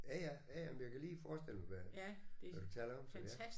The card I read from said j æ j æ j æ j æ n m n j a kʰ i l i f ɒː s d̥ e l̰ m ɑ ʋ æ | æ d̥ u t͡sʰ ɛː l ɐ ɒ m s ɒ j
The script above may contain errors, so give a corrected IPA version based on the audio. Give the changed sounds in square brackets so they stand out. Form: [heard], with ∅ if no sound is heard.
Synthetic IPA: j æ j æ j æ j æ [m] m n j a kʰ [æ] l [iː] f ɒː s d̥ e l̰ m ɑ ʋ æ | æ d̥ u t͡sʰ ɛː l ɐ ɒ m s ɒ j